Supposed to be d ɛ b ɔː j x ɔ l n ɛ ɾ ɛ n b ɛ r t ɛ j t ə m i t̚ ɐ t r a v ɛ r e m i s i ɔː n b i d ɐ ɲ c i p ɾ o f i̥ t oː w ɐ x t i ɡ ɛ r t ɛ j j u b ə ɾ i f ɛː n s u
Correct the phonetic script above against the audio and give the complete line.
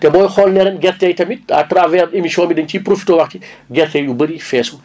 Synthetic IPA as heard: t ɛ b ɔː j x ɔ l n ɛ ɾ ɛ n ɡ ɛ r t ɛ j t ɐ m i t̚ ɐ t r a v ɛ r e m i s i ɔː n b i d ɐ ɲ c i p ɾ o f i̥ t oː w ɐ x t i ɡ ɛ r t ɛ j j u b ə ɾ i f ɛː s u